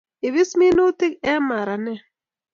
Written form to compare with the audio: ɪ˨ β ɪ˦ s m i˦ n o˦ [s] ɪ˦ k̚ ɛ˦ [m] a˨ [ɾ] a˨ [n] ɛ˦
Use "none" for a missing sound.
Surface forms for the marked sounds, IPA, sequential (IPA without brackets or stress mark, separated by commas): t, m, ɾ, n